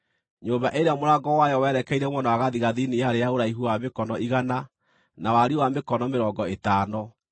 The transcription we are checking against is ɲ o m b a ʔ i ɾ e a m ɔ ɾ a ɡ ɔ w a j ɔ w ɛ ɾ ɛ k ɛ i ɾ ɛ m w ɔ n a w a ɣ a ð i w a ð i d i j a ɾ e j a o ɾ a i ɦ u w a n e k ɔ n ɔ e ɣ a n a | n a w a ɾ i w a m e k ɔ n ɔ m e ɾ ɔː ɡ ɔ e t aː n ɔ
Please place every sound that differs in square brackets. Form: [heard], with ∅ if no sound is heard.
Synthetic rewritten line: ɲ o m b a ʔ [e] ɾ e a m [o] ɾ a ɡ ɔ w a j ɔ w ɛ ɾ ɛ k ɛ i ɾ ɛ m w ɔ n a w a ɣ a ð i [ɣ] a ð i [n] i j a ɾ e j a o ɾ a i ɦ u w a [m] e k ɔ n ɔ [i] ɣ a n a | n a w a ɾ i w a m e k ɔ n ɔ m e ɾ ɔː ɡ ɔ e t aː n ɔ